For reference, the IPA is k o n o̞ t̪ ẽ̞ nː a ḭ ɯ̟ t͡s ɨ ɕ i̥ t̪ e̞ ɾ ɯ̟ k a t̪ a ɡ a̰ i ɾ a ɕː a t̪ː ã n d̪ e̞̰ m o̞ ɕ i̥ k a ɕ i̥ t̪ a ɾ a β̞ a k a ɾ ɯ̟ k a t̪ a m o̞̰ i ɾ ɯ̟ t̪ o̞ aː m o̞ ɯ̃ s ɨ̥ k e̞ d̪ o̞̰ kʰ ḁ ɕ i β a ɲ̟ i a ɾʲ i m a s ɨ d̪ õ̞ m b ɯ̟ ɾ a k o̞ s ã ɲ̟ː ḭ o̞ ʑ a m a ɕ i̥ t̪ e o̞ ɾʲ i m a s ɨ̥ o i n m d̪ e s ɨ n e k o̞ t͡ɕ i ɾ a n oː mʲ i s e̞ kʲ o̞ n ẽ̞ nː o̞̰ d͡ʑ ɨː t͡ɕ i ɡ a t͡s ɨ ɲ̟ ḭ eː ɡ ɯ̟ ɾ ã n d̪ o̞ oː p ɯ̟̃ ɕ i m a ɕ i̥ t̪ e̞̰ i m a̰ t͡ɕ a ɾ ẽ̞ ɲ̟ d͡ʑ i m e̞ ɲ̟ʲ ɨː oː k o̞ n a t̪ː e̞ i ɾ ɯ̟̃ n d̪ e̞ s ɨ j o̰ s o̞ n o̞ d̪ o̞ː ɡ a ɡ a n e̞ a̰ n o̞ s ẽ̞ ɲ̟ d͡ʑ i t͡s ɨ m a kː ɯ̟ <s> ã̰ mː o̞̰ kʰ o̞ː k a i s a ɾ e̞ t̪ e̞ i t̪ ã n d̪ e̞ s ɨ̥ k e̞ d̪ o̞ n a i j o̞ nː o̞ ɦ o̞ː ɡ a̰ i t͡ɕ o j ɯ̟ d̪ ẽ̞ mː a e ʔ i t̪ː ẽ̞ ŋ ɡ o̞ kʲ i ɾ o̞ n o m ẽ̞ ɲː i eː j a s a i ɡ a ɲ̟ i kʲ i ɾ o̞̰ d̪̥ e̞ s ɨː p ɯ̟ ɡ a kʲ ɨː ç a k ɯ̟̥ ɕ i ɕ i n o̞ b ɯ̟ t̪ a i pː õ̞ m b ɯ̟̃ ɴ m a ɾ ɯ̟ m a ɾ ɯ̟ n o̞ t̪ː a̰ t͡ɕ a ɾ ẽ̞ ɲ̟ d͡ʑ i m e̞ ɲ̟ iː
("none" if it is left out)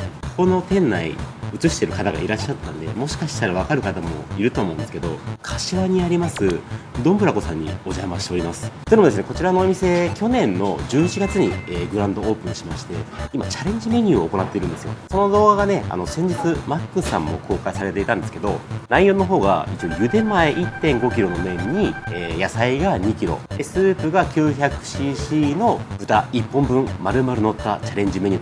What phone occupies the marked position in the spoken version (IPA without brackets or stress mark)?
s